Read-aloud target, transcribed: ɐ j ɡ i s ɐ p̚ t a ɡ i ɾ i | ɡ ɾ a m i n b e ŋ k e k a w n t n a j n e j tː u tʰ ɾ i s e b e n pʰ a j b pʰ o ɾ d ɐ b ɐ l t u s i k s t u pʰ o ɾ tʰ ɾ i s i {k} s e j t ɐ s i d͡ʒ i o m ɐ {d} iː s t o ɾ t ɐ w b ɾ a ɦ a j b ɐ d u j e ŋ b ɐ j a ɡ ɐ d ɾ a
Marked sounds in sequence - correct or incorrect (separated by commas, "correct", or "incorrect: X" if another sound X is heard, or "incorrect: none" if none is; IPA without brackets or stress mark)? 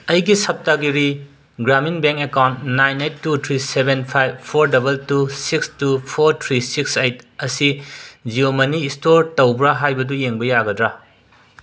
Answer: correct, incorrect: n